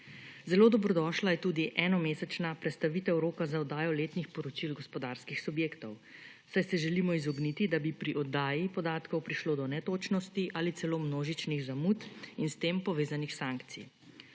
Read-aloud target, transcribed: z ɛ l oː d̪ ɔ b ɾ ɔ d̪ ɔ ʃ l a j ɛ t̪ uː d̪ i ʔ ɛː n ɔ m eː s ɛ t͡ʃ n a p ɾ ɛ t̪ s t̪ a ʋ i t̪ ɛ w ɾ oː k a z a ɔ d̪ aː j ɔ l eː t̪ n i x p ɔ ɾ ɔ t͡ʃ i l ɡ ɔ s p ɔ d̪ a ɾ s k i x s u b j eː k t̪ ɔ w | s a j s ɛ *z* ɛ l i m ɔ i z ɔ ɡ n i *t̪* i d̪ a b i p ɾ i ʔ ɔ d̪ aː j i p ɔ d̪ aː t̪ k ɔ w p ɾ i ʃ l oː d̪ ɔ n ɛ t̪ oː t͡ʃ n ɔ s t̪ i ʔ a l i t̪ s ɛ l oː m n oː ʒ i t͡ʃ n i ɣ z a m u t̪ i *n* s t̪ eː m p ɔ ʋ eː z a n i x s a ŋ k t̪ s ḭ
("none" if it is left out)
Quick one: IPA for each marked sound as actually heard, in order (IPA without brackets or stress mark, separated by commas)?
ʒ, t̪, n